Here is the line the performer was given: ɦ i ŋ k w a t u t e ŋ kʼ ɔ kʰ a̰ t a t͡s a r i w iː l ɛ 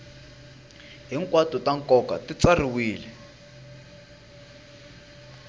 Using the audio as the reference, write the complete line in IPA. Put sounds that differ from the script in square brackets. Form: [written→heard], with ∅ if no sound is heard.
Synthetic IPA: ɦ i ŋ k w a t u t [e→a] ŋ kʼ ɔ [kʰ→k] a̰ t [a→i] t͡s a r i w iː l ɛ